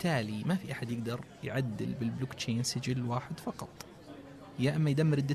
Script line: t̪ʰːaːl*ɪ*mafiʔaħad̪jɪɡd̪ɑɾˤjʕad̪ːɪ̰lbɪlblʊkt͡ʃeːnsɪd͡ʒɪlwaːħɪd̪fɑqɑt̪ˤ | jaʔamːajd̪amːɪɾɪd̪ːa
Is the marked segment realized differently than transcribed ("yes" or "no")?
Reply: yes